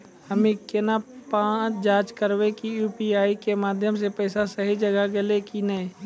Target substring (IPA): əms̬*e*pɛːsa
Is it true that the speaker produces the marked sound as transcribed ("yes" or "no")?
yes